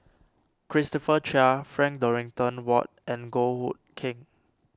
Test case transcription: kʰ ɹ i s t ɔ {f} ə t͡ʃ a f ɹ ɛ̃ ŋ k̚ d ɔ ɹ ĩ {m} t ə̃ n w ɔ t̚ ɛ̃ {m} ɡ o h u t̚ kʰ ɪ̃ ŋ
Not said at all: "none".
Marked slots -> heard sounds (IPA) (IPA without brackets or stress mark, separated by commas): f, ŋ, n